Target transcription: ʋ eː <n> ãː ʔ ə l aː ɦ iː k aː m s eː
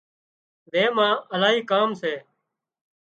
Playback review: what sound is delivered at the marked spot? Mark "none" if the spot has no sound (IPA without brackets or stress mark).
m